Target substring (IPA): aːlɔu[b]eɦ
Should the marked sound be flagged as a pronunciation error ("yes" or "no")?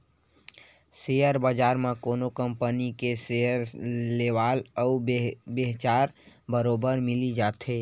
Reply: no